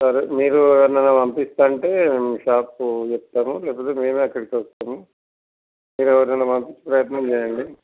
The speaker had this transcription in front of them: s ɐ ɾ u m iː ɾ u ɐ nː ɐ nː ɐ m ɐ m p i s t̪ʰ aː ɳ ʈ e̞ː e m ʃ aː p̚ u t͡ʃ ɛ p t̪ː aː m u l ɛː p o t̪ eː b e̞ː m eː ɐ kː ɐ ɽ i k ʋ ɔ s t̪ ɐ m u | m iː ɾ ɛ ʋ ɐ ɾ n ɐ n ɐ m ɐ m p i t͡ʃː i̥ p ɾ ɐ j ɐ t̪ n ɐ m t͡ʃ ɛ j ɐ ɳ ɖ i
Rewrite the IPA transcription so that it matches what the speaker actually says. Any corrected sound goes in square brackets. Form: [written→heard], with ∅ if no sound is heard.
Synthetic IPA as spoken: s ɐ ɾ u m iː ɾ u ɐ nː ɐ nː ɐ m ɐ m p i s [t̪ʰ→t̪] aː ɳ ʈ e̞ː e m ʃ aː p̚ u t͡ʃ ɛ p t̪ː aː m u l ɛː p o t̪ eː [b→m] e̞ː m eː ɐ kː ɐ ɽ i k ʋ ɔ s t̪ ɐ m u | m iː ɾ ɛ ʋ ɐ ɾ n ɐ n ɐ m ɐ m p i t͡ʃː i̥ p ɾ ɐ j ɐ t̪ n ɐ m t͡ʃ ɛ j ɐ ɳ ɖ i